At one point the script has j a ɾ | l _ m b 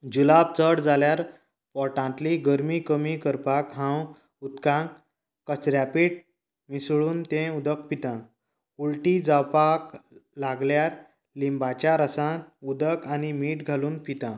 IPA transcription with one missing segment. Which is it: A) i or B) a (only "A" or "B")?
A